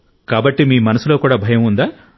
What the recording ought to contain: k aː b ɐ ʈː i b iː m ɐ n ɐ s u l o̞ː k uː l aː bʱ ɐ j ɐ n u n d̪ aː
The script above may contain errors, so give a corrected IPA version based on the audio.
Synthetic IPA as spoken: k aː b ɐ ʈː i m iː m ɐ n ɐ s u l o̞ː k uː ɽ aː bʱ ɐ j ɐ m u n d̪ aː